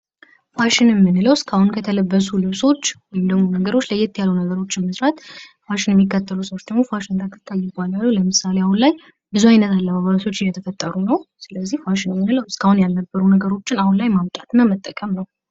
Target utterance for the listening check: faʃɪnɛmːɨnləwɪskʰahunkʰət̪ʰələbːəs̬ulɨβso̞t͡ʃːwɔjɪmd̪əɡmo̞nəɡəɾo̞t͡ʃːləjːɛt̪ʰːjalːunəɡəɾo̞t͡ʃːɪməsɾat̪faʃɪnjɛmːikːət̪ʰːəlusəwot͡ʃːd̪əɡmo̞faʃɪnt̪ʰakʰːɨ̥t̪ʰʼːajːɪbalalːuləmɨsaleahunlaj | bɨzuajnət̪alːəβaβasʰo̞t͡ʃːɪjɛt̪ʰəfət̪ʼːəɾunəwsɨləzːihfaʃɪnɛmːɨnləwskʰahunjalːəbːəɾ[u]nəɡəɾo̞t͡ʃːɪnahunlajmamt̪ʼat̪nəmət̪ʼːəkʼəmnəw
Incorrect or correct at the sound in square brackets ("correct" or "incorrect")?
correct